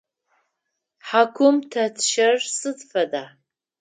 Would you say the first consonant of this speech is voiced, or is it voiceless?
voiceless